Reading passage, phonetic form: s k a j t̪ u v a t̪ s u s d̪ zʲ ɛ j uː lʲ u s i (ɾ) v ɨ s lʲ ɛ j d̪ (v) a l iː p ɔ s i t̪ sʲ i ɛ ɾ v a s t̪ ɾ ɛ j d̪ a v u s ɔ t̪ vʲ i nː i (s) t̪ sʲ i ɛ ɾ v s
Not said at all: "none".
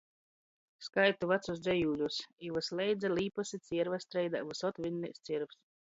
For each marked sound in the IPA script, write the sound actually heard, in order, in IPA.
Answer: none, z, s

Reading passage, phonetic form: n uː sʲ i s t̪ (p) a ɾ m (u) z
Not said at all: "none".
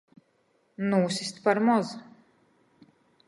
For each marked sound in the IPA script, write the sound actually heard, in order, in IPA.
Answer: p, ɔ

